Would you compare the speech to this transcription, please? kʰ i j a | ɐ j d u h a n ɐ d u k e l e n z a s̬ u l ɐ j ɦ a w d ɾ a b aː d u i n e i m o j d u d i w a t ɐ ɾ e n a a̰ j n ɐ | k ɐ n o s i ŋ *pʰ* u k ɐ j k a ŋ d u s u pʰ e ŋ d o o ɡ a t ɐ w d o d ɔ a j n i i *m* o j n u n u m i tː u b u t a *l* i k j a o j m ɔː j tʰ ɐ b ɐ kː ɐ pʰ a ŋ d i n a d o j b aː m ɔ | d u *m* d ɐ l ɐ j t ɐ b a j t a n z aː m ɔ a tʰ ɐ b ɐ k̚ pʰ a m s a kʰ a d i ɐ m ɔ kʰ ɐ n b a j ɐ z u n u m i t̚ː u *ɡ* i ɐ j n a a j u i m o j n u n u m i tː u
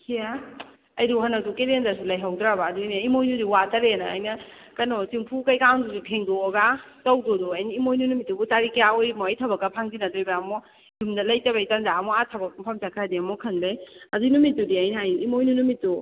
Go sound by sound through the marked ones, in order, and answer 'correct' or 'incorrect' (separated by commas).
correct, correct, incorrect, correct, incorrect